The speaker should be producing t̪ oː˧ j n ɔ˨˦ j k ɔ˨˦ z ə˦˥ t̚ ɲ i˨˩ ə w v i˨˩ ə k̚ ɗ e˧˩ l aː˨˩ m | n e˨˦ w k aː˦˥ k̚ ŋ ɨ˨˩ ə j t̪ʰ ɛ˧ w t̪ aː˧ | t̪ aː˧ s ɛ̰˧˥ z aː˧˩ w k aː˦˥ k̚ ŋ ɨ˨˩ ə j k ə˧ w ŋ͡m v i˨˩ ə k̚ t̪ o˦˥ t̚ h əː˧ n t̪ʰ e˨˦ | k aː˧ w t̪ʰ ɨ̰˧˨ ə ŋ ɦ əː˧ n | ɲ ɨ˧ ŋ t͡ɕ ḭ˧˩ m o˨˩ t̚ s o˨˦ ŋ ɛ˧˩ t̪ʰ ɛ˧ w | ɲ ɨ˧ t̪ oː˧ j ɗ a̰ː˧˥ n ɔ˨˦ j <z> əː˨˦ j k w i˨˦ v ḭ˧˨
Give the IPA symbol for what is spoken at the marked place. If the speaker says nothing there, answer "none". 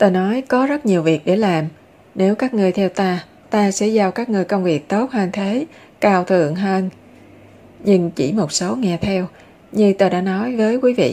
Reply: v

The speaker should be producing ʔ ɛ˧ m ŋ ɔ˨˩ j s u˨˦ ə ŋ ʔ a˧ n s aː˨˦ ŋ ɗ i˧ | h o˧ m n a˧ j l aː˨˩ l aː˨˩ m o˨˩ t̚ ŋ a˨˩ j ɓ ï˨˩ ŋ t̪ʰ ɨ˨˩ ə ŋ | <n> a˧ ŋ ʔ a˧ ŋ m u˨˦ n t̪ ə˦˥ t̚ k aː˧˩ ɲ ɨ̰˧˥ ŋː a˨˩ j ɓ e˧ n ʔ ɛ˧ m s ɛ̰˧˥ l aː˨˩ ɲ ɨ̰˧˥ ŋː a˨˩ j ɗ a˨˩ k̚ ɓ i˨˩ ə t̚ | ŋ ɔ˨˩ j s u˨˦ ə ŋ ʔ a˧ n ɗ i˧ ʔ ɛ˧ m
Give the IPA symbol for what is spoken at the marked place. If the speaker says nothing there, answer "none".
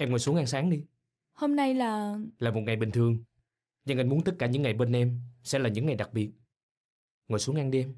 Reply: ɲ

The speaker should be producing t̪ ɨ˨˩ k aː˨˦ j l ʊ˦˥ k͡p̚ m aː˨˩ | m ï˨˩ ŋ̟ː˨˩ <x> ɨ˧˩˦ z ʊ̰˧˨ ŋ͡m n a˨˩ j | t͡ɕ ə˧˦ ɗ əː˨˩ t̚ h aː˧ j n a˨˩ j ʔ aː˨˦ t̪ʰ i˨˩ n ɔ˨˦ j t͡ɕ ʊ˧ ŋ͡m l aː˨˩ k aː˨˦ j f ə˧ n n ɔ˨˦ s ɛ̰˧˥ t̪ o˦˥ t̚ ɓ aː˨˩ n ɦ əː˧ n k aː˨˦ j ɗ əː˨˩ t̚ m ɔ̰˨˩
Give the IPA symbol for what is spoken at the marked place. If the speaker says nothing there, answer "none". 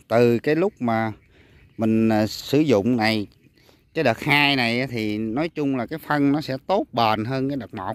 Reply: s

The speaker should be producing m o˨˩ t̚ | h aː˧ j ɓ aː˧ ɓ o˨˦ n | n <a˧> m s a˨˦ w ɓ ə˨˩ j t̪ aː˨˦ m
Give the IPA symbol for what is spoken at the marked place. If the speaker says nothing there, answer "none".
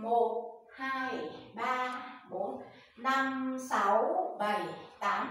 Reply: a˧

